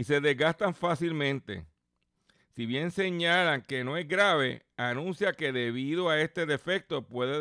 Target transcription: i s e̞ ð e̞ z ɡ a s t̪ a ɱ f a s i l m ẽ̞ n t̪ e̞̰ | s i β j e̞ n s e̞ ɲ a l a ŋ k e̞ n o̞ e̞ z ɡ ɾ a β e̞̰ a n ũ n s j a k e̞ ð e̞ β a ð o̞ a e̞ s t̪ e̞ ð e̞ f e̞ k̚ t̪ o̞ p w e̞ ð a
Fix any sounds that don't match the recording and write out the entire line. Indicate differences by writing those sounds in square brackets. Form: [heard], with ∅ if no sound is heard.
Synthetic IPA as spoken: i s e̞ ð e̞ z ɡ a s t̪ a ɱ f a s i l m ẽ̞ n t̪ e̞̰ | s i β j e̞ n s e̞ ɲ a l a ŋ k e̞ n o̞ e̞ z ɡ ɾ a β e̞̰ a n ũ n s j a k e̞ ð e̞ β [i] ð o̞ a e̞ s t̪ e̞ ð e̞ f e̞ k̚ t̪ o̞ p w e̞ ð [e]